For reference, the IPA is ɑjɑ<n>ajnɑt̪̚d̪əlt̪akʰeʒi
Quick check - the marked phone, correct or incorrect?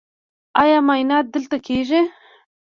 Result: incorrect